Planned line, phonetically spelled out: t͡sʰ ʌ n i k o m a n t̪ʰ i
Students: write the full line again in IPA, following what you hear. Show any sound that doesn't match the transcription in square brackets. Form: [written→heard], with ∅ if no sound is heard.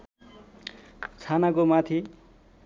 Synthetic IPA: t͡sʰ [ʌ→a] n [i→a] k o m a [n→∅] t̪ʰ i